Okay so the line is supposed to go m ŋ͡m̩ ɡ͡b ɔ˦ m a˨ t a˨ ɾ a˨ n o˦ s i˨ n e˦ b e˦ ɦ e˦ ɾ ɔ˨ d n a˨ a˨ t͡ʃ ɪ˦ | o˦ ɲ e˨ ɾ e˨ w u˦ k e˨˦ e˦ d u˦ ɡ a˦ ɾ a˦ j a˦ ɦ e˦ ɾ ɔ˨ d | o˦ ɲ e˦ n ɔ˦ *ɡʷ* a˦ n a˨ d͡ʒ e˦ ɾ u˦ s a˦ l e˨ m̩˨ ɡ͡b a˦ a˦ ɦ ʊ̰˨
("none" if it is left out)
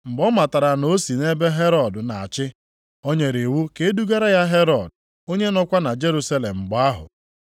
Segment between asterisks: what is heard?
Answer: kʷ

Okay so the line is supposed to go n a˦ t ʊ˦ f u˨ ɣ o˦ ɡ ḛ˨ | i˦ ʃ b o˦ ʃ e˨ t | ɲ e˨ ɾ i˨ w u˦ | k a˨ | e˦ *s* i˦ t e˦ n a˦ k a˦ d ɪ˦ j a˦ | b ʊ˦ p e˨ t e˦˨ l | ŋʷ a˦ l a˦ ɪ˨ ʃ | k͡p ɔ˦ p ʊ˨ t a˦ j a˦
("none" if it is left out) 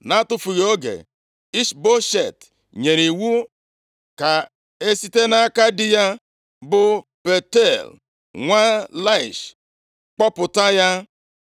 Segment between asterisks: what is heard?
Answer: s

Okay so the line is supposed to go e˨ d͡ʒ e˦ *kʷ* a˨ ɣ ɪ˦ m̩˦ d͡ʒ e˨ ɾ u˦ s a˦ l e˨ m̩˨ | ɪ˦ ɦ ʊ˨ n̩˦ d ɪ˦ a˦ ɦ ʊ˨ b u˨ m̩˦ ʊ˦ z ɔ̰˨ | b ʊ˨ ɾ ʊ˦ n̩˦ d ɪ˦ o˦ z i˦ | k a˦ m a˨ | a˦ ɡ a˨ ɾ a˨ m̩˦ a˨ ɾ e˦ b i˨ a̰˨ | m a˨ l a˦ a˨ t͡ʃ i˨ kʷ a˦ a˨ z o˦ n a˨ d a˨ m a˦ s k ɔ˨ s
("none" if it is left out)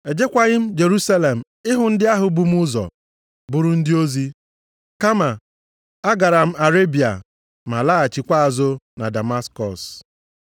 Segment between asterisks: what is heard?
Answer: kʷ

